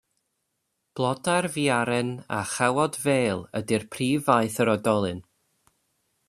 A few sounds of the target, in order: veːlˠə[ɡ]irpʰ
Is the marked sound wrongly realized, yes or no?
yes